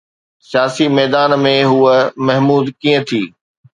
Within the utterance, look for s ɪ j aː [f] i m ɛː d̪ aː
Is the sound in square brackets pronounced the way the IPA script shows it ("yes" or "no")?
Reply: no